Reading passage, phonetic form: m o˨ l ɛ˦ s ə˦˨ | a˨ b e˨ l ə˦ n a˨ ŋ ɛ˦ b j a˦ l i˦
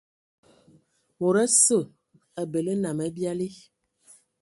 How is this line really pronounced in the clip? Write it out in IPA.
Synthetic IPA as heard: m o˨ ɾ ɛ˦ s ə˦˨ | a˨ b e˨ l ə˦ n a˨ m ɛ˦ b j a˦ l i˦